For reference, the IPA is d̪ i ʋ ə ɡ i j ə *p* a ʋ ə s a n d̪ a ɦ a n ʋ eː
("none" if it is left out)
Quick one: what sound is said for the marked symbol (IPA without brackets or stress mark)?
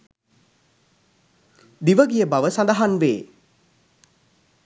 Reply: b